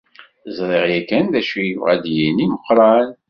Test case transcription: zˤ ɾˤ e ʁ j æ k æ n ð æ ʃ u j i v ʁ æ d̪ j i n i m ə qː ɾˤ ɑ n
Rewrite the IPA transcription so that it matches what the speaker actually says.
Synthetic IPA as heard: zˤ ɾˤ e ʁ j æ k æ n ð æ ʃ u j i v ʁ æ d̪ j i n i m ə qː ɾˤ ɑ n

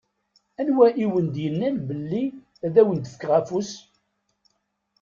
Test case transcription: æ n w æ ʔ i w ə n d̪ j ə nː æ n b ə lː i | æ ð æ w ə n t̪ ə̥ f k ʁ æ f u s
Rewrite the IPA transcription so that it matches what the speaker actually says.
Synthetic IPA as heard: æ n w æ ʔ i w ə n d̪ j ə nː æ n b ə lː i | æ ð æ w ə n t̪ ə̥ f k ʁ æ f u s

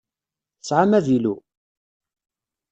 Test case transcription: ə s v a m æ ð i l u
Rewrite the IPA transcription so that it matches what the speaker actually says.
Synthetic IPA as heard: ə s ʕ a m æ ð i l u

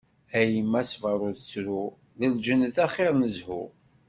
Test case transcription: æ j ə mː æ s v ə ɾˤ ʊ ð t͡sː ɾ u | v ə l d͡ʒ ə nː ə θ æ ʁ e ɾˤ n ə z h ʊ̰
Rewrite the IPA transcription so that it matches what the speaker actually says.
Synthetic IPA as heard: æ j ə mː æ s v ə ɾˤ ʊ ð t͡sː ɾ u | ð ə l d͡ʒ ə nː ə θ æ χ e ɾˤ n ə z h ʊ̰

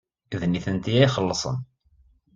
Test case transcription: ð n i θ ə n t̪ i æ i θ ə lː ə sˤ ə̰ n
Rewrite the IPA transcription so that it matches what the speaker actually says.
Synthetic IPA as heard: ð n i θ ə n t̪ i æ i χ ə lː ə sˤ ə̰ n

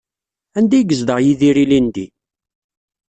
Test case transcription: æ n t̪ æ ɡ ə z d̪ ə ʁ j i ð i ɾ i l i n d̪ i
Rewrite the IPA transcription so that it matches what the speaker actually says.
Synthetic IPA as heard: æ n d̪ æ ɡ ə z d̪ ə ʁ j i ð i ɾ i l i n d̪ i

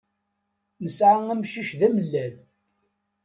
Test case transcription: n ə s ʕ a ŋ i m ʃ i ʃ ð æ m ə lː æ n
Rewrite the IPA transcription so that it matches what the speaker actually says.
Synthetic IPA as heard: n ə s ʕ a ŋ æ m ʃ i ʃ ð æ m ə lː æ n

